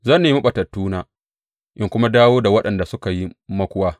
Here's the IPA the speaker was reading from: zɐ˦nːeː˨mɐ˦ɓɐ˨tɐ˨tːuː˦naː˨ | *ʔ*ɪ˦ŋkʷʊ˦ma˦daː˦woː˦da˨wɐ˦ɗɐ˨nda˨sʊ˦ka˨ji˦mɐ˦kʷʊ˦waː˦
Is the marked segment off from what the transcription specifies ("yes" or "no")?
no